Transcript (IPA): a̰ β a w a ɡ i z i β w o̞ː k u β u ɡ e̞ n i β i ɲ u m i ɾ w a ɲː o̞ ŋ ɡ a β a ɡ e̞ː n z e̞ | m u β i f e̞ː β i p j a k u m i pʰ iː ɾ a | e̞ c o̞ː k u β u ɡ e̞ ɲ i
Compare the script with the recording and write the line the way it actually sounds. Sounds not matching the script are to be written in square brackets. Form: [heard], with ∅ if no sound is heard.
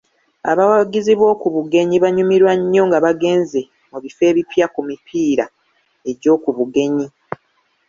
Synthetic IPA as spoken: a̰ β a w a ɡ i z i β w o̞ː k u β u ɡ e̞ [ɲ] i β [a] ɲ u m i ɾ w a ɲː o̞ ŋ ɡ a β a ɡ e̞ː n z e̞ | m u β i f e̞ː β i p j a k u m i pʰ iː ɾ a | e̞ [ɟ] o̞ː k u β u ɡ e̞ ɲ i